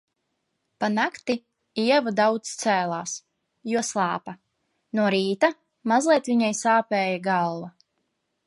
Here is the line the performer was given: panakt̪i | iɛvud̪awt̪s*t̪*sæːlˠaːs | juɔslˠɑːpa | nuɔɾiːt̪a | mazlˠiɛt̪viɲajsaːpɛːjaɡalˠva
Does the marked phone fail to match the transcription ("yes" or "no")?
no